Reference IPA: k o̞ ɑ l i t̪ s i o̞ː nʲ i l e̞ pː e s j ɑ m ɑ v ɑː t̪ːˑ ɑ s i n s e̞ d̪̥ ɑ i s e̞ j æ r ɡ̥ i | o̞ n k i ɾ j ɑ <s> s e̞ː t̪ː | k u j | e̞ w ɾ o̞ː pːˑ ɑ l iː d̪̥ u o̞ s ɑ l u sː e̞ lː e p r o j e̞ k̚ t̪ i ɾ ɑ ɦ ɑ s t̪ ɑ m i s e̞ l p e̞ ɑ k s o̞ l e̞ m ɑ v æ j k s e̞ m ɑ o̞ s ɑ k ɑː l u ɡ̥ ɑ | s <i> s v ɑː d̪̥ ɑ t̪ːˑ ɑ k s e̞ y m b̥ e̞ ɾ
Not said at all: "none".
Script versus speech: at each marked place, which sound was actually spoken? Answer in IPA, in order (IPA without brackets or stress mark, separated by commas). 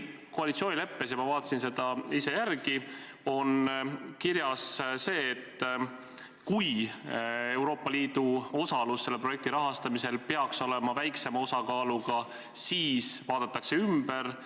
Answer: s, iː